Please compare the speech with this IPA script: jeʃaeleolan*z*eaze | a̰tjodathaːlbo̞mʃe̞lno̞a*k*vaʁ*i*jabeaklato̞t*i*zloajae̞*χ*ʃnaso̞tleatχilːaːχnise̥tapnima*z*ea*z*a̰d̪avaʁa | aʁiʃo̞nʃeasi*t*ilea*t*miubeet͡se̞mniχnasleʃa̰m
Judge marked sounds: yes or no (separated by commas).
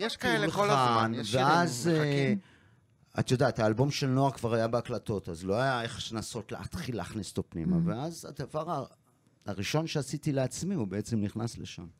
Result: no, yes, no, no, yes, no, yes, yes, no